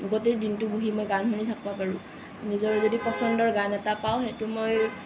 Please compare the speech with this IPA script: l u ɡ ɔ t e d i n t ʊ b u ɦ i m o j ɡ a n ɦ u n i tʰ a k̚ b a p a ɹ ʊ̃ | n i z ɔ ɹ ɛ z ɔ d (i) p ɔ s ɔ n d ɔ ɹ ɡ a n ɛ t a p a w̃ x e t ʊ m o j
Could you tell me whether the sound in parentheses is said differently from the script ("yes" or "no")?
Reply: no